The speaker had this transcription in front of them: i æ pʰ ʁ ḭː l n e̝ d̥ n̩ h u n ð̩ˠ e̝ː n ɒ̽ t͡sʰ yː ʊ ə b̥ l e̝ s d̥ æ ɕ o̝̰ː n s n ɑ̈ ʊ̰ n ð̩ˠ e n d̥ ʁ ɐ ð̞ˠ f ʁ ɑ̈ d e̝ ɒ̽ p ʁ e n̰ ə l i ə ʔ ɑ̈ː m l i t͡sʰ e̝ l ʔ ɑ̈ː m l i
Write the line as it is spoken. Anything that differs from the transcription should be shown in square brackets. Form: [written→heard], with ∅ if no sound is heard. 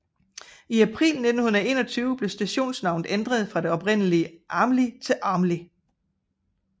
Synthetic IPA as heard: i æ pʰ ʁ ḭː l n e̝ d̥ n̩ h u n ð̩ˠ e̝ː n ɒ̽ t͡sʰ yː ʊ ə b̥ l e̝ s d̥ æ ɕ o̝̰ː n s n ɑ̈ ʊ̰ n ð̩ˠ e n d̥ ʁ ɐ ð̞ˠ f ʁ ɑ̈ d e̝ ɒ̽ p ʁ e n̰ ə l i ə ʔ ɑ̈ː m l i t͡sʰ e̝ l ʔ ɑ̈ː m l i